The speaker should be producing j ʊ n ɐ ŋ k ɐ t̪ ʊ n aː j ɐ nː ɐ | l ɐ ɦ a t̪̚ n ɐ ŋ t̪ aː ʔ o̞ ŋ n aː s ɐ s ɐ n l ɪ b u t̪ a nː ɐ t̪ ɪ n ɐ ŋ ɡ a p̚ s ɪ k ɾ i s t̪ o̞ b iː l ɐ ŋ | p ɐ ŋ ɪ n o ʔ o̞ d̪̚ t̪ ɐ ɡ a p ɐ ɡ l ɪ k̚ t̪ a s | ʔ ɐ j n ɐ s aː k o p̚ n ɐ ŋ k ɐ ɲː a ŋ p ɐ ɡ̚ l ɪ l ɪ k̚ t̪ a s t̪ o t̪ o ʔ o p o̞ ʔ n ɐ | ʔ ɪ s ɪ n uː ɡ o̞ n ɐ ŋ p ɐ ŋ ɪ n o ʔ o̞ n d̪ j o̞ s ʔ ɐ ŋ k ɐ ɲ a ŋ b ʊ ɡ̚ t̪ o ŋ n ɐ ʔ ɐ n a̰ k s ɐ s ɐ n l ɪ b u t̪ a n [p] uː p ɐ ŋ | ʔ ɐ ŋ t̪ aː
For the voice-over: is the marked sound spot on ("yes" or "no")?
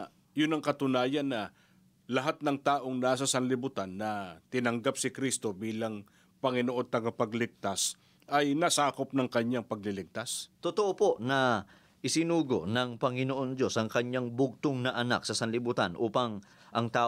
no